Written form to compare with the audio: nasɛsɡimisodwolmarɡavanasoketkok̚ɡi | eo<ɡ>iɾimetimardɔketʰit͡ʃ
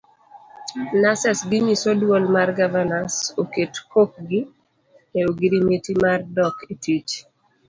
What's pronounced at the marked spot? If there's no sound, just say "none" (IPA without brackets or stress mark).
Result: ɡ